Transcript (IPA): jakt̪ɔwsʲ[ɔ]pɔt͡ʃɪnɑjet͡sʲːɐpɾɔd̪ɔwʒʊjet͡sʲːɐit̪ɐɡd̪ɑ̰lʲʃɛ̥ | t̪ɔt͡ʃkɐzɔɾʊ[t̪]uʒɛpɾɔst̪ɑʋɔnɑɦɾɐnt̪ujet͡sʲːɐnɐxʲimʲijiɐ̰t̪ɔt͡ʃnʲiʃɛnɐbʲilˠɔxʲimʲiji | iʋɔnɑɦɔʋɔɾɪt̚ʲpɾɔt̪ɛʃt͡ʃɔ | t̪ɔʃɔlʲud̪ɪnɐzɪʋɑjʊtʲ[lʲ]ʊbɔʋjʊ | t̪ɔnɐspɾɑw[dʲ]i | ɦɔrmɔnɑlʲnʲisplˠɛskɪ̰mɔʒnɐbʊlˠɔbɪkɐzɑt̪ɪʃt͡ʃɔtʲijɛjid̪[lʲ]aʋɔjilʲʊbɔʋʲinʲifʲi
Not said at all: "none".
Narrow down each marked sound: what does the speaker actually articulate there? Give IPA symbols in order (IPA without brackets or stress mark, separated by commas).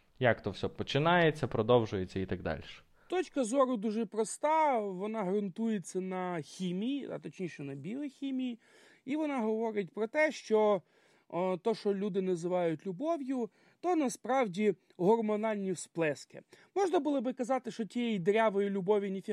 ɔ, d̪, lʲ, dʲ, ɾʲ